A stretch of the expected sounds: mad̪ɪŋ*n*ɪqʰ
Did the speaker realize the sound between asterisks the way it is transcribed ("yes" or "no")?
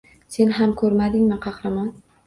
no